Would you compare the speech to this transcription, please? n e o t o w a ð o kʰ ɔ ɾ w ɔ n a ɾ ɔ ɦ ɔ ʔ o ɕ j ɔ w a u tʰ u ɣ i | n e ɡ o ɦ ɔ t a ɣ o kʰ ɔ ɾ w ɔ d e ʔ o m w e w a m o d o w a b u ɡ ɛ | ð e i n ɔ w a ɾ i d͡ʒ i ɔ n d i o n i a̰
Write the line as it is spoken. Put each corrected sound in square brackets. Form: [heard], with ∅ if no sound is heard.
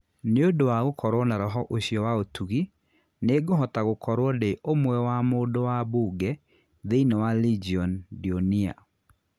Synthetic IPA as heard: n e o [d] o w a [ɣ] o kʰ ɔ ɾ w ɔ n a ɾ ɔ ɦ ɔ ʔ o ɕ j ɔ w a [o] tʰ u ɣ i | n e ɡ o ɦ ɔ t a ɣ o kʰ ɔ ɾ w ɔ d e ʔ o m w [ɛ] w a m o d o w a b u ɡ ɛ | ð e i n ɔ w a [l] i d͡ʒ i ɔ n d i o n i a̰